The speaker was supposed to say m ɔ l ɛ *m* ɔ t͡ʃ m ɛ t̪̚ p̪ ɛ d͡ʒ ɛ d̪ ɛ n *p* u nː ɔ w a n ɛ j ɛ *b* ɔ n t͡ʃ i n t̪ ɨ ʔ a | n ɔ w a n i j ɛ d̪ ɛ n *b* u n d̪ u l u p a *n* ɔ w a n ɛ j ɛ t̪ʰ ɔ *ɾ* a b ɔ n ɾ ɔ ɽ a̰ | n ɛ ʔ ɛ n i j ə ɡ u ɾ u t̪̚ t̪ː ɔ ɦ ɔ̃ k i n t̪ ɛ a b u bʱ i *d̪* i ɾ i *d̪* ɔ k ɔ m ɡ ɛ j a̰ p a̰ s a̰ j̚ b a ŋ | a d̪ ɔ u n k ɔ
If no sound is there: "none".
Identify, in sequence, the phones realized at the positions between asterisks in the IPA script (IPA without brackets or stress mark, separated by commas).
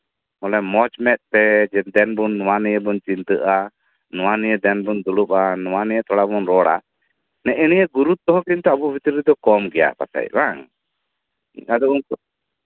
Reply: m, b, b, b, n, ɽ, t̪, d̪